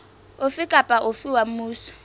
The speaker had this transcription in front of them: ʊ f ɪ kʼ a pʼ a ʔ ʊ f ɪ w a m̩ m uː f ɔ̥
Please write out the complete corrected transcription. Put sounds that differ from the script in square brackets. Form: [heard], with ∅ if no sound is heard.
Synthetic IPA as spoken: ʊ f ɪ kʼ a pʼ a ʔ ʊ f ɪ w a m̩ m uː [s] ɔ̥